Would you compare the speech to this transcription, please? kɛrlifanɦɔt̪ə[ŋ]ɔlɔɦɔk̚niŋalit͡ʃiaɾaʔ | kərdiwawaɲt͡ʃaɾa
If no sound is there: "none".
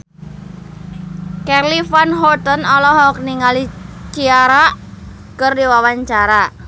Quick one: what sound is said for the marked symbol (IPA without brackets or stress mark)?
n